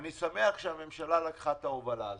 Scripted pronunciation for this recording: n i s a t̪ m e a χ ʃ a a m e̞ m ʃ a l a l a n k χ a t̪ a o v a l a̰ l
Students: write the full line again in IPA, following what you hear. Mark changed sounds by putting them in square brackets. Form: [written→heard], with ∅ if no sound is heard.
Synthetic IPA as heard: n i s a [t̪→∅] m e a χ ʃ [a→e] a m e̞ m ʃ a l a l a [n→∅] k χ a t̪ a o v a l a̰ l